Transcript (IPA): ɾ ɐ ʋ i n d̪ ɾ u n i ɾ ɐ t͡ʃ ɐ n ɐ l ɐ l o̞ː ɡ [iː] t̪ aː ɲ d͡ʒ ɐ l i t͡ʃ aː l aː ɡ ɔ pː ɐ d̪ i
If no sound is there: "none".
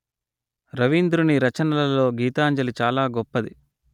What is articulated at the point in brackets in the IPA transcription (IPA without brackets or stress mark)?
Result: iː